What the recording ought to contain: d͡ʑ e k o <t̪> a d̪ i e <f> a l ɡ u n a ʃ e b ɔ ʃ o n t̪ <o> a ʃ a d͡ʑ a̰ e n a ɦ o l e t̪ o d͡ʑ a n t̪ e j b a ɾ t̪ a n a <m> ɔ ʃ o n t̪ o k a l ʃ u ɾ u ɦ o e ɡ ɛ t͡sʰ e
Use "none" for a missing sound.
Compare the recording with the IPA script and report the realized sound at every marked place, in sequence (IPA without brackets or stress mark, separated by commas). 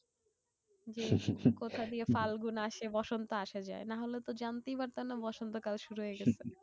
t̪ʰ, f, o, b